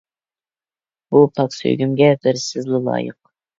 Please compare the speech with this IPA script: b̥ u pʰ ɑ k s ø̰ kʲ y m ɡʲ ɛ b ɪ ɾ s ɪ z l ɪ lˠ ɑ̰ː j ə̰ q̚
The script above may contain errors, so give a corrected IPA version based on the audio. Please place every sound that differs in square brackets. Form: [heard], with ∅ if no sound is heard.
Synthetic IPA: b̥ u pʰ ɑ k s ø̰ [ɡʲ] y m ɡʲ ɛ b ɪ ɾ s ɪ z l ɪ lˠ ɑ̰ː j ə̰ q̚